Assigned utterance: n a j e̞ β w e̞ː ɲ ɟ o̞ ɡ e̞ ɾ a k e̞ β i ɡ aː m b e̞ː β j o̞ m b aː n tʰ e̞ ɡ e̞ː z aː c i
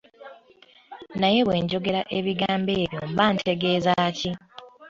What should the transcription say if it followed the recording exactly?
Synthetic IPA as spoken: n a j e̞ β w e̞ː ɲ ɟ o̞ ɡ e̞ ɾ a ʔ e̞ β i ɡ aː m b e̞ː β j o̞ m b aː n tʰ e̞ ɡ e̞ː z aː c i